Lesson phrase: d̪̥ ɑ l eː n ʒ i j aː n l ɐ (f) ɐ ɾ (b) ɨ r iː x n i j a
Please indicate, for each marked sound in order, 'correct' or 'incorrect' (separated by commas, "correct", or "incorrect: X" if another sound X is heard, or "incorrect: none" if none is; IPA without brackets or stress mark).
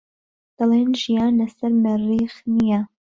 incorrect: s, incorrect: m